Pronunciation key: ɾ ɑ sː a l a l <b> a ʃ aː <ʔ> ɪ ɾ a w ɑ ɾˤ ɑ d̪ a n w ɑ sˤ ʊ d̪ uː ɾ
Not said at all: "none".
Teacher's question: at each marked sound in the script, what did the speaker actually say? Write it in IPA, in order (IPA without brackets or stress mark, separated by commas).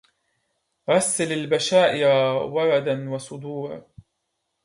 b, ʔ